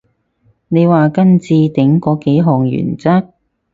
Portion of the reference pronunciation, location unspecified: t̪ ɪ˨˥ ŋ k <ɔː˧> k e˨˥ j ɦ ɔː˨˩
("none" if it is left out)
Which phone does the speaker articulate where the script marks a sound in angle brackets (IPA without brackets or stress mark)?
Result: ɔː˨˥